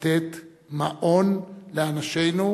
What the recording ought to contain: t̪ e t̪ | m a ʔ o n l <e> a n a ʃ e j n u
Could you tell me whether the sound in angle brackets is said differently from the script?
no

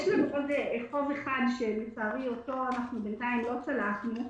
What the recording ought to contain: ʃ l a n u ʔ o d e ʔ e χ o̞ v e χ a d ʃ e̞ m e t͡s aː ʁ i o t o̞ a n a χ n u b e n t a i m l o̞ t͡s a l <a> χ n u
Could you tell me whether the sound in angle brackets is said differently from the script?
no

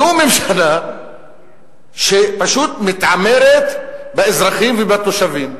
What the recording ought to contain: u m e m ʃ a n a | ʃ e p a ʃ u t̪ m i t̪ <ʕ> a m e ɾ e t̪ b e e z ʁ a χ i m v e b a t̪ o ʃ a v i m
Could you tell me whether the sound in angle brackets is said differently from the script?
no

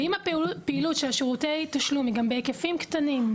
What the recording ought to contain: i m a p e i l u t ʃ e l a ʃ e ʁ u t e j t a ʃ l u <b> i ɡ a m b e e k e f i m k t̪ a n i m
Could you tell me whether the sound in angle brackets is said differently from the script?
yes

